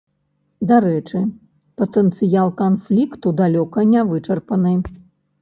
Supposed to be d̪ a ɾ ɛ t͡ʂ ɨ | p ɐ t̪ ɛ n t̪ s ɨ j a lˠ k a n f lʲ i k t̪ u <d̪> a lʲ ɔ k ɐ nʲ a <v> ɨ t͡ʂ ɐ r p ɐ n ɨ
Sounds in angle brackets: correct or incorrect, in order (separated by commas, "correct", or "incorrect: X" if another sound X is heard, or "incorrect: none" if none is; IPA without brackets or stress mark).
correct, correct